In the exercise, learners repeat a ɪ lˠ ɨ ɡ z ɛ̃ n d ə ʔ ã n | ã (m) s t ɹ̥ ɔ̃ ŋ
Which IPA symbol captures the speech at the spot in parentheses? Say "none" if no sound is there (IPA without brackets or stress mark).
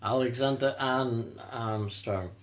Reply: m